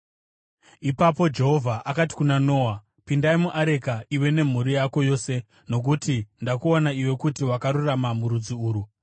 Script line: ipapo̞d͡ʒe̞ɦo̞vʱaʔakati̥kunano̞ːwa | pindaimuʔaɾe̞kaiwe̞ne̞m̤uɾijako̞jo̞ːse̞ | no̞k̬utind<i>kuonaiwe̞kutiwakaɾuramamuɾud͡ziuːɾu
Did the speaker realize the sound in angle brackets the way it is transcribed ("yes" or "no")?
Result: no